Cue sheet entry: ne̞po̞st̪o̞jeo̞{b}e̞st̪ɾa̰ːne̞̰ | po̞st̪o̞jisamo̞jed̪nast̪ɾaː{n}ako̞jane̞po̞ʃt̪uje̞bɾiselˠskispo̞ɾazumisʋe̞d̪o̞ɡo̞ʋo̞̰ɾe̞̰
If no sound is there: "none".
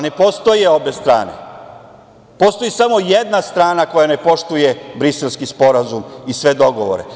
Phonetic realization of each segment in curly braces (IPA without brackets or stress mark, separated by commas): b, n